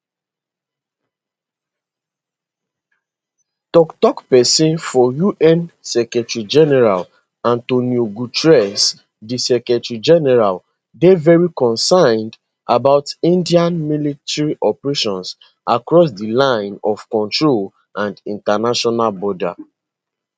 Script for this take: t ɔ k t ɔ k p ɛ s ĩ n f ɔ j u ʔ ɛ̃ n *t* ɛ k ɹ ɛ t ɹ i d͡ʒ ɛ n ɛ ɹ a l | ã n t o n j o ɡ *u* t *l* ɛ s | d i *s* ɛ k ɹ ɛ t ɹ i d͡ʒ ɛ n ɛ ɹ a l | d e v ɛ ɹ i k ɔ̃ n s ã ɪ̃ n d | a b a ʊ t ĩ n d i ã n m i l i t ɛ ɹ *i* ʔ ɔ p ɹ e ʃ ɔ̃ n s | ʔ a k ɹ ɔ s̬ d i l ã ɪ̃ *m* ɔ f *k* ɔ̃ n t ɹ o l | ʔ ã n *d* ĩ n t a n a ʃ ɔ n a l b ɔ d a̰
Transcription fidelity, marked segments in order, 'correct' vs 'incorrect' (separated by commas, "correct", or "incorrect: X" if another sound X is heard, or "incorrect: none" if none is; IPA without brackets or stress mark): incorrect: s, correct, incorrect: ɹ, correct, correct, incorrect: n, correct, correct